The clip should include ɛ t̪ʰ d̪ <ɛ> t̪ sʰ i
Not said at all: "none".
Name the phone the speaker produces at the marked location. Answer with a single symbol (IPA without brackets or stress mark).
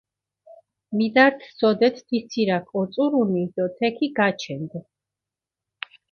i